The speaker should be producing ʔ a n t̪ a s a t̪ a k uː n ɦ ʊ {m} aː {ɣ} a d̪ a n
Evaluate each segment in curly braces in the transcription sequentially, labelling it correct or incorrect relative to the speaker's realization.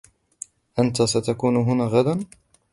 incorrect, correct

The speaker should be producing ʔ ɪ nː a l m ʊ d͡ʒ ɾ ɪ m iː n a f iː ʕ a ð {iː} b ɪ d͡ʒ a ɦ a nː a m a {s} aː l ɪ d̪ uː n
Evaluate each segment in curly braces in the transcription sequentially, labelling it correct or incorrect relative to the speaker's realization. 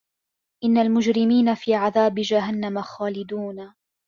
incorrect, incorrect

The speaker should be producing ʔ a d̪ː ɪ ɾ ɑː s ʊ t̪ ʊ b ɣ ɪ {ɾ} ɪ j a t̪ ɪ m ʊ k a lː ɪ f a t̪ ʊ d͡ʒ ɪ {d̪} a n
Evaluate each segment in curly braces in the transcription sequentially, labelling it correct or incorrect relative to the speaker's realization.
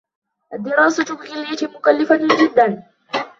incorrect, incorrect

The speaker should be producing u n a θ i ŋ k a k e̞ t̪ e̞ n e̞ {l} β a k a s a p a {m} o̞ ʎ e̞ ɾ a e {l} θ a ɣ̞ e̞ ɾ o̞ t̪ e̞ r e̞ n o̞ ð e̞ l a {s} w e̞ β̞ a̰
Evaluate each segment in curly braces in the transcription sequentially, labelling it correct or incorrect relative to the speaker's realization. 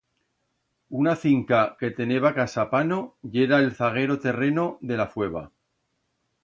incorrect, incorrect, correct, incorrect

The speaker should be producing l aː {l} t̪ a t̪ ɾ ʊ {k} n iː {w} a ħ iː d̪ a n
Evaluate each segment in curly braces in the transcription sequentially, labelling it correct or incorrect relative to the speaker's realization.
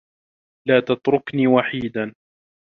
incorrect, correct, correct

